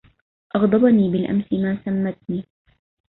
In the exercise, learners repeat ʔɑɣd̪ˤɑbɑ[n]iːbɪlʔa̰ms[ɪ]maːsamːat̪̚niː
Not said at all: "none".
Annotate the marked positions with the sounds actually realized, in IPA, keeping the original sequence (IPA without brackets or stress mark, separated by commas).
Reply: n, ɪ